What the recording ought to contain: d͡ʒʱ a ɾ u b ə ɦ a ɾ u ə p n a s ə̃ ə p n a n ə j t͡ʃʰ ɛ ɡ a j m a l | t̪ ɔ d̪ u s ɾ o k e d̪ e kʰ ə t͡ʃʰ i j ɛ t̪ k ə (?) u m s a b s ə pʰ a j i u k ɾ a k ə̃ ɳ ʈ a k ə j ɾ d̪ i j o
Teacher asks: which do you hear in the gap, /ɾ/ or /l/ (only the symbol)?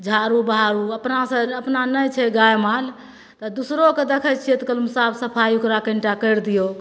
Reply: l